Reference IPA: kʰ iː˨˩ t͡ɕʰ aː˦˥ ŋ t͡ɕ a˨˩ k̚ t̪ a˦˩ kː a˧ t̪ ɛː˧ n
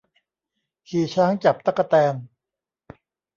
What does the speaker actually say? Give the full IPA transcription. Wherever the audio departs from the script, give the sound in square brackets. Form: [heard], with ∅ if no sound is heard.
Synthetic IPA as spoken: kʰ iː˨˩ t͡ɕʰ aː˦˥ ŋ t͡ɕ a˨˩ [p̚] t̪ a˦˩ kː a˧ t̪ ɛː˧ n